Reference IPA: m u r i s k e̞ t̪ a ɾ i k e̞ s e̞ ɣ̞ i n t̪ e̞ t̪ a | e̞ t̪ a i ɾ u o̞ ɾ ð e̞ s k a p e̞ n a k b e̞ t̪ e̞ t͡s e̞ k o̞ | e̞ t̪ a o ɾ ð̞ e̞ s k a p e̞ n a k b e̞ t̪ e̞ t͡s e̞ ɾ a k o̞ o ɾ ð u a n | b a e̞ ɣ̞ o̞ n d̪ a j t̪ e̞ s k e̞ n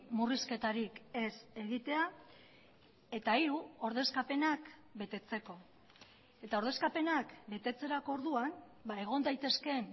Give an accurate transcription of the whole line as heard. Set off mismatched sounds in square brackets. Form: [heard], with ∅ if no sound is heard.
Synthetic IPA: m u r i s k e̞ t̪ a ɾ i k e̞ s e̞ ɣ̞ i [∅] t̪ e̞ [∅] a | e̞ t̪ a i ɾ u o̞ ɾ ð e̞ s k a p e̞ n a k b e̞ t̪ e̞ t͡s e̞ k o̞ | e̞ t̪ a o ɾ ð̞ e̞ s k a p e̞ n a k b e̞ t̪ e̞ t͡s e̞ ɾ a k o̞ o ɾ ð u a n | b a e̞ ɣ̞ o̞ n d̪ a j t̪ e̞ s k e̞ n